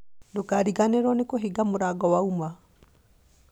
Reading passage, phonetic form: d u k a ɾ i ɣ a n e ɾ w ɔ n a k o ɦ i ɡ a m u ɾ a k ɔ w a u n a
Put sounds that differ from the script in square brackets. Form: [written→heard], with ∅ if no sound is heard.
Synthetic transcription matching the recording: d [u→o] k a ɾ i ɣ a n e ɾ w ɔ n [a→e] k o ɦ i ɡ a m [u→o] ɾ a [k→ɡ] ɔ w a u [n→m] a